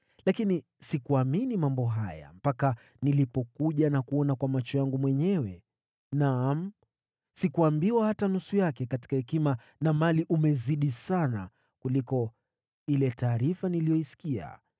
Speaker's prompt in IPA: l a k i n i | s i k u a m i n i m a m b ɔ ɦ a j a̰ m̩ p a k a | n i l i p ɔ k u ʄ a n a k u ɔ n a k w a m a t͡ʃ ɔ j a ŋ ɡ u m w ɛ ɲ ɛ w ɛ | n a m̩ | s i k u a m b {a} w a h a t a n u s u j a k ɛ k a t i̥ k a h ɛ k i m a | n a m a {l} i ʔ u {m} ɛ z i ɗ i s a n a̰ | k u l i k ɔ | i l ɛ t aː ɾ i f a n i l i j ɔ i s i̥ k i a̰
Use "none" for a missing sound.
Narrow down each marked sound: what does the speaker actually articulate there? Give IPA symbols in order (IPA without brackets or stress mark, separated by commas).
i, l, m